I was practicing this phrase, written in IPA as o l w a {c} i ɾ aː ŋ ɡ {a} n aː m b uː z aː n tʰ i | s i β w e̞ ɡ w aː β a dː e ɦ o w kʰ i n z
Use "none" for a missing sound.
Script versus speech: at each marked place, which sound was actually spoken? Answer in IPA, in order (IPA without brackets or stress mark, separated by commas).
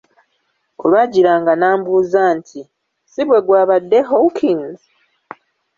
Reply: ɟ, a